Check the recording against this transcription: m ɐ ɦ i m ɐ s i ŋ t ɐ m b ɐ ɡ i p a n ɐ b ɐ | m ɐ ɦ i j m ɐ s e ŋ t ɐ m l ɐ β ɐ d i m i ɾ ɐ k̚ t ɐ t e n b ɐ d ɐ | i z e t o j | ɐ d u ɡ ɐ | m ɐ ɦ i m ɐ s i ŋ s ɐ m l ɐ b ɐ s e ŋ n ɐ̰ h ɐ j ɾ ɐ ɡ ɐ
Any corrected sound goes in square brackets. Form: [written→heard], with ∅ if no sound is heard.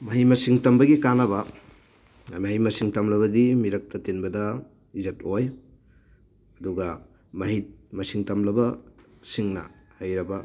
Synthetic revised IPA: m ɐ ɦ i m ɐ s i ŋ t ɐ m b ɐ ɡ i [p→k] a n ɐ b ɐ | m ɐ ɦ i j m ɐ s [e→i] ŋ t ɐ m l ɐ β ɐ d i m i ɾ ɐ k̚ t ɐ t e n b ɐ d ɐ | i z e t o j | ɐ d u ɡ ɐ | m ɐ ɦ i m ɐ s i ŋ [s→t] ɐ m l ɐ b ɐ s [e→i] ŋ n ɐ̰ h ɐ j ɾ ɐ [ɡ→b] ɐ